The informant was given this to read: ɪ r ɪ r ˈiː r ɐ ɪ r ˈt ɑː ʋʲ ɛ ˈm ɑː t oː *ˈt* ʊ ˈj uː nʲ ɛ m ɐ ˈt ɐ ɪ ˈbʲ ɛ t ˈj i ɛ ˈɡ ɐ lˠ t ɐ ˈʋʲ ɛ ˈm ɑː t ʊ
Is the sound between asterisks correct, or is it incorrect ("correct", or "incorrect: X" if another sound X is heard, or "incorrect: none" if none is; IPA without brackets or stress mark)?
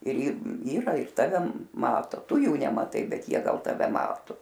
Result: correct